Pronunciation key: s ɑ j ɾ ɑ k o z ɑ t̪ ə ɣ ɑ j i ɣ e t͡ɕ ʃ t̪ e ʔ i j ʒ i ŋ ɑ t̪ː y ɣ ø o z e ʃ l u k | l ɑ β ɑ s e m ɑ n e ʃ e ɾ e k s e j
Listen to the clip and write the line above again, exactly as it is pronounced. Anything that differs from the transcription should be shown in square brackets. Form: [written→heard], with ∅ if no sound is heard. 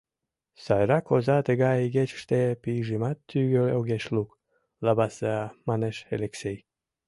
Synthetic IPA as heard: s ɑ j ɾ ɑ k o z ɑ t̪ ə ɣ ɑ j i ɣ e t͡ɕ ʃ t̪ e [ʔ→p] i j ʒ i [ŋ→m] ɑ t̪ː y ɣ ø o [z→ɣ] e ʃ l u k | l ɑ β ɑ s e m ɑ n e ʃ e [ɾ→l] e k s e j